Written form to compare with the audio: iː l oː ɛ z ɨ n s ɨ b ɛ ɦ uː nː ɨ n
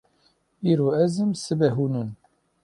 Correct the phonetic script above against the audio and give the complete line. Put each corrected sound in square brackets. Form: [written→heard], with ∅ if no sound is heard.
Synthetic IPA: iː [l→ɾ] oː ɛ z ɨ [n→m] s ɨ b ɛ ɦ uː [nː→n] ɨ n